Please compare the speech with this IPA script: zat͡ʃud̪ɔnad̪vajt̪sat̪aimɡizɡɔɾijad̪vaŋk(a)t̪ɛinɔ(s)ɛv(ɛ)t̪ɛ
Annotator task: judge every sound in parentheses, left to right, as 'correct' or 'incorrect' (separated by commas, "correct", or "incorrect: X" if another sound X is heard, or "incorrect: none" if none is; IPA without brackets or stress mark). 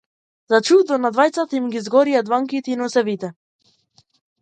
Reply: incorrect: i, correct, incorrect: i